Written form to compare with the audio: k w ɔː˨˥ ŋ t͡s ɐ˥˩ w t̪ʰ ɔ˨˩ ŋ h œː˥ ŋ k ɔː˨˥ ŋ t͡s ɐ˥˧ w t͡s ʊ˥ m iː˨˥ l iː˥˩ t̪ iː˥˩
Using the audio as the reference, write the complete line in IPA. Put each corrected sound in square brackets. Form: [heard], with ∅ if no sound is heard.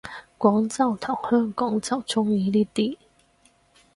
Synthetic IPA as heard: k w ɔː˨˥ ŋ t͡s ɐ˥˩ w t̪ʰ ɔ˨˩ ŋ h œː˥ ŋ k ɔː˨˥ ŋ t͡s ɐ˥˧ w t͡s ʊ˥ [ŋ] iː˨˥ l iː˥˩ t̪ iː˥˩